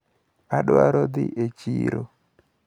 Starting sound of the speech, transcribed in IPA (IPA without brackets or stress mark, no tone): a